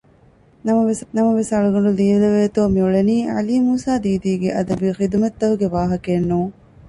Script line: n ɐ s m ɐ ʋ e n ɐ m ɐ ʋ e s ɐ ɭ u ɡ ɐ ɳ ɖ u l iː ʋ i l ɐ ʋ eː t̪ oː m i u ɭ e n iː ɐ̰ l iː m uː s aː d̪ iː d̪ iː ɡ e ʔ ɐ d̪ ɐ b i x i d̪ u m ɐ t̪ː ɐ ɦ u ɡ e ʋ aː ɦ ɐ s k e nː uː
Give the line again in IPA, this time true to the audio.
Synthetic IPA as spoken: n ɐ m ɐ ʋ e n ɐ m ɐ ʋ e s ɐ ɭ u ɡ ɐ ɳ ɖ u l iː ʋ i l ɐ ʋ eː t̪ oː m i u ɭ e n iː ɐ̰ l iː m uː s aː d̪ iː d̪ iː ɡ e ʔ ɐ d̪ ɐ b i x i d̪ u m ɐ t̪ː ɐ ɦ u ɡ e ʋ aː ɦ ɐ k e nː uː